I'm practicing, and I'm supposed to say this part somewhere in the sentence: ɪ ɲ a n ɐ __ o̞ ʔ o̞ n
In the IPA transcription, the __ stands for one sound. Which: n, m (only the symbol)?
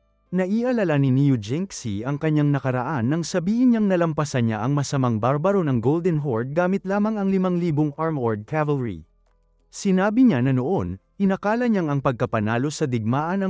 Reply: n